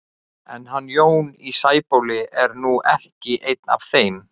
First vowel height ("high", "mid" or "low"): mid